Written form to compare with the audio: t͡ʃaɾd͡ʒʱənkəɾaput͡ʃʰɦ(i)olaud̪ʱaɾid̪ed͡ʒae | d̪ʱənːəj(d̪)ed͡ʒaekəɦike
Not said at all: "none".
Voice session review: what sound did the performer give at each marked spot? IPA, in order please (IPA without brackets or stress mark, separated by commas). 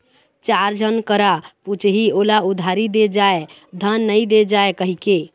i, d̪